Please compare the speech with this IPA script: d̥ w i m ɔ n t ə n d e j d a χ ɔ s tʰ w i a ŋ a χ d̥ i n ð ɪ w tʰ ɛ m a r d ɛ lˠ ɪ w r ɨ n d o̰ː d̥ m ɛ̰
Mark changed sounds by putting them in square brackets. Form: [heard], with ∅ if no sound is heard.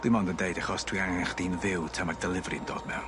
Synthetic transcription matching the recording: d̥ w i m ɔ n [d] ə n d e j d a χ ɔ s tʰ w i a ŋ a χ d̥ i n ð ɪ w tʰ ɛ m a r d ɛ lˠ ɪ [v] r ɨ n d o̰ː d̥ m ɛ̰